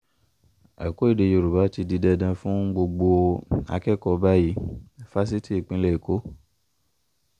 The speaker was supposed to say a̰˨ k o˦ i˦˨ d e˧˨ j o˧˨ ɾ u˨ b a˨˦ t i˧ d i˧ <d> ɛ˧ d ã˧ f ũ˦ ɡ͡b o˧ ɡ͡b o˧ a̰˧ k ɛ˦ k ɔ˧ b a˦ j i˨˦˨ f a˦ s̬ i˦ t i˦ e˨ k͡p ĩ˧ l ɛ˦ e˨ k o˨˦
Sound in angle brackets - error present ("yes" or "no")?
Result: no